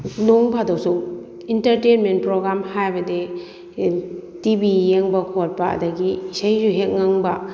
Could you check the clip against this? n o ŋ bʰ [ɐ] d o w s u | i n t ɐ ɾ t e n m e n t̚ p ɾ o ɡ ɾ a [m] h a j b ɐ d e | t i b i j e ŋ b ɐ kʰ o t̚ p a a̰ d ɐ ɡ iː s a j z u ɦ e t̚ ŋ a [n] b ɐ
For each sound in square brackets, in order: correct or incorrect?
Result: incorrect, correct, incorrect

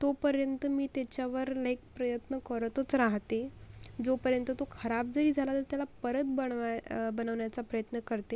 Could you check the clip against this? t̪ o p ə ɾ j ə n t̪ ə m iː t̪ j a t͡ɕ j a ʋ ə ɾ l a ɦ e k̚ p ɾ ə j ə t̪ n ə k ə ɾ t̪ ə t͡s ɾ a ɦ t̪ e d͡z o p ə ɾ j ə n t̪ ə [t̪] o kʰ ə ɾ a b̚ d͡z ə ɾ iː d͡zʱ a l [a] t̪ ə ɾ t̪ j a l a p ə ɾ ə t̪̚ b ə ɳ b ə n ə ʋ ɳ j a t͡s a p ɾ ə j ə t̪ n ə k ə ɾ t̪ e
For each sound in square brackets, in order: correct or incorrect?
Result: correct, correct

